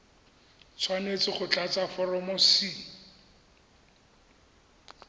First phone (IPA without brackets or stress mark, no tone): t͡sʰ